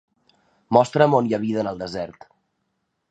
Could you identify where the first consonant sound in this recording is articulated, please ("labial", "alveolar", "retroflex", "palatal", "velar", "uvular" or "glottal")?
labial